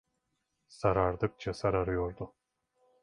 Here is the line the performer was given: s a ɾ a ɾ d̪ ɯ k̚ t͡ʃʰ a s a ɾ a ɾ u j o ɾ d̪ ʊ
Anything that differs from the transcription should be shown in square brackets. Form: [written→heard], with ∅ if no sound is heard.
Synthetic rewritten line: s a ɾ a ɾ d̪ ɯ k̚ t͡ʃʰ a s a ɾ a ɾ [u→ɯ] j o ɾ d̪ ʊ

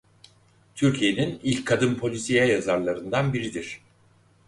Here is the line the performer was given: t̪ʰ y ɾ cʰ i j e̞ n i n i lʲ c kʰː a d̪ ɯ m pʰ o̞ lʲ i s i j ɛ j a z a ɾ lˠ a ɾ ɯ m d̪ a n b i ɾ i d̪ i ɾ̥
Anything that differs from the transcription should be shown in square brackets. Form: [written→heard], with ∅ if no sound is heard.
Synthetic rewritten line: t̪ʰ y ɾ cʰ i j e̞ n i n i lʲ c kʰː a d̪ ɯ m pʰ o̞ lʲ i s i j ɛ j a z a ɾ lˠ a ɾ ɯ [m→n] d̪ a n b i ɾ i d̪ i ɾ̥

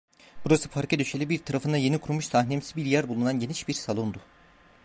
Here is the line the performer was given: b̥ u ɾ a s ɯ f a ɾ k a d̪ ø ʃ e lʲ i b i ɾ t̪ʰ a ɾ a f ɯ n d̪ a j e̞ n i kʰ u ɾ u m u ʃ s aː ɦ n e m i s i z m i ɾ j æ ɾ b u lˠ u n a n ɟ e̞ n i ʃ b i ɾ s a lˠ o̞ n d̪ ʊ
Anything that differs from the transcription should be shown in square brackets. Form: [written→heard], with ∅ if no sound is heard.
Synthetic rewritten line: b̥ u ɾ a s ɯ f a ɾ k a d̪ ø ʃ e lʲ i b i ɾ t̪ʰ a ɾ a f ɯ n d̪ a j e̞ n i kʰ u ɾ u m u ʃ s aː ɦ n e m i s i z [m→b] i ɾ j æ ɾ b u lˠ u n a n ɟ e̞ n i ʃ b i ɾ s a lˠ o̞ n d̪ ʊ

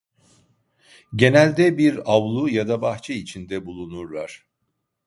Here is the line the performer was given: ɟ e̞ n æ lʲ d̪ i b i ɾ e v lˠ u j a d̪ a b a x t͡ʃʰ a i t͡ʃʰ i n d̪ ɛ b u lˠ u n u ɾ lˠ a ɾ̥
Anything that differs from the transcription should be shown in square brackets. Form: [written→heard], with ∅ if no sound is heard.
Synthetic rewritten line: ɟ e̞ n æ lʲ d̪ [i→ɛ] b i ɾ [e→a] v lˠ u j a d̪ a b a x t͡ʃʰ [a→ɛ] i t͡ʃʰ i n d̪ ɛ b u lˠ u n u ɾ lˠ a ɾ̥

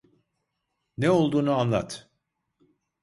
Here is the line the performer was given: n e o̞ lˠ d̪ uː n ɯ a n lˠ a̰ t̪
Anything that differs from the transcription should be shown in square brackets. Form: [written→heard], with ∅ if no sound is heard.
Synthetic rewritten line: n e o̞ lˠ d̪ uː n [ɯ→u] a n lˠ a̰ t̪

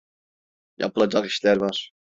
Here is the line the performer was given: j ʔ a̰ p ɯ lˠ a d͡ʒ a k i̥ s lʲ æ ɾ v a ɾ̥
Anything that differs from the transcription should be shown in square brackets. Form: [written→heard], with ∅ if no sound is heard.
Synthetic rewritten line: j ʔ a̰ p ɯ lˠ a d͡ʒ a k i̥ [s→ʃ] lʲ æ ɾ v a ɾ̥

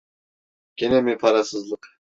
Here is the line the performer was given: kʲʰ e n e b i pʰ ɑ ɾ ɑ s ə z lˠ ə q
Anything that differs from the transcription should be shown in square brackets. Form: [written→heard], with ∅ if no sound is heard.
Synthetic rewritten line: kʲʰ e n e [b→m] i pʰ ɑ ɾ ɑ s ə z lˠ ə q

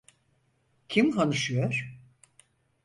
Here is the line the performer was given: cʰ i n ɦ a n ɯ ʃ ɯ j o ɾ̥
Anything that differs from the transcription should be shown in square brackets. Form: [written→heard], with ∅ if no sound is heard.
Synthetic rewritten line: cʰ i [n→m] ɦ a n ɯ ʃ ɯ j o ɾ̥

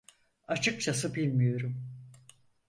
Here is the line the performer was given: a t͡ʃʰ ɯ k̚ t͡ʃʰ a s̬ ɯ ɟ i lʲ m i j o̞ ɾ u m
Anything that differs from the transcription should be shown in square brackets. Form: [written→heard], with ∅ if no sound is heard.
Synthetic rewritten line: a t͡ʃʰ ɯ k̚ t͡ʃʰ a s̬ ɯ [ɟ→b] i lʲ m i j o̞ ɾ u m

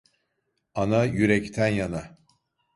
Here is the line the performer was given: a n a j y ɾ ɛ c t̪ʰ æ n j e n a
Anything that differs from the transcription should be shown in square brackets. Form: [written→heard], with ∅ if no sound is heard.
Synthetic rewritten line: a n a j y ɾ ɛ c t̪ʰ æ n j [e→a] n a

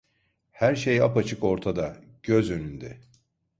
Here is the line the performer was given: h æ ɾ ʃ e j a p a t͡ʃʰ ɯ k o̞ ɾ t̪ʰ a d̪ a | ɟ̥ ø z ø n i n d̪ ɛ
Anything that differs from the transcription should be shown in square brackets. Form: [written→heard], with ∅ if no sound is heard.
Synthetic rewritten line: h æ ɾ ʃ e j a p a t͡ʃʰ ɯ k o̞ ɾ t̪ʰ a d̪ a | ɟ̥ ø z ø n [i→y] n d̪ ɛ

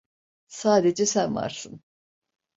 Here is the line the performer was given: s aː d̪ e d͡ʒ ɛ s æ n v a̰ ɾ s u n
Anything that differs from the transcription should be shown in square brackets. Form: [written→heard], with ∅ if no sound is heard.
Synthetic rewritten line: s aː d̪ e d͡ʒ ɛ s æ n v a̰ ɾ s [u→ɯ] n

